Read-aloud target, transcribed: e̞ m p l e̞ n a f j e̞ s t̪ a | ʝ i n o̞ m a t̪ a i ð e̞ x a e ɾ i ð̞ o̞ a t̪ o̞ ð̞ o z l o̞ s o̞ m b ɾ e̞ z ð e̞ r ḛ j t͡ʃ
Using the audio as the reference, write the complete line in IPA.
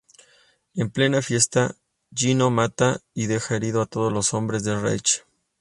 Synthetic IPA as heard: e̞ m p l e̞ n a f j e̞ s t̪ a | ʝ i n o̞ m a t̪ a i ð e̞ x a e ɾ i ð̞ o̞ a t̪ o̞ ð̞ o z l o̞ s o̞ m b ɾ e̞ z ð e̞ r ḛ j t͡ʃ